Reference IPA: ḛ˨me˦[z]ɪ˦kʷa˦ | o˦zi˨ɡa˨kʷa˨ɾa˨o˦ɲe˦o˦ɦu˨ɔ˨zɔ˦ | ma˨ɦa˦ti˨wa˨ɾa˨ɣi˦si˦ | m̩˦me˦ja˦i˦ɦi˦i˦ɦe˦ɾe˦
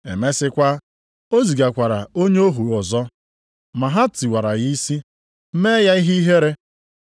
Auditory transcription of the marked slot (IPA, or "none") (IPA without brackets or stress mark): s